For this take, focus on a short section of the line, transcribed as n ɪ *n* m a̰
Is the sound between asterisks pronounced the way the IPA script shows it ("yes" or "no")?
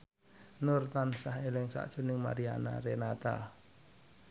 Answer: no